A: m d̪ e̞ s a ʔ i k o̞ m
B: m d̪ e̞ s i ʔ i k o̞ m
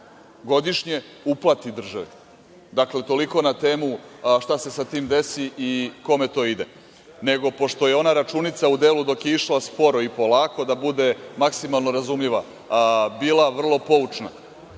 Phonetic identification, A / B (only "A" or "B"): B